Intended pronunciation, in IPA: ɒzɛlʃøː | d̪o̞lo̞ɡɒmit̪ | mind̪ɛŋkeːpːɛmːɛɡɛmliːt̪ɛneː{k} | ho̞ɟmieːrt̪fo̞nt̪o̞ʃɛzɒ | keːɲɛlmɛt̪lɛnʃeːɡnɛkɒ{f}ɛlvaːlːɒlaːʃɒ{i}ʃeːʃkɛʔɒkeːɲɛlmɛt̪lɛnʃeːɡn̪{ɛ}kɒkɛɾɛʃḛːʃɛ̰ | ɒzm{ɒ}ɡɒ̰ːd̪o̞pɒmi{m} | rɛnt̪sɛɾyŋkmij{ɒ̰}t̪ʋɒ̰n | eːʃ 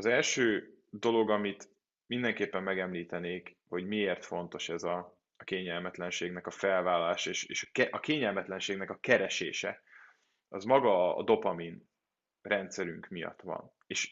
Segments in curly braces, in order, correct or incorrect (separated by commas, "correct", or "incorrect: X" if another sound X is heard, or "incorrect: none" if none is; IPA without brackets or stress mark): correct, correct, incorrect: e, correct, correct, incorrect: n, correct